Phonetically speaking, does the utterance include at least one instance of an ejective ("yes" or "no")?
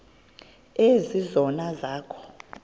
no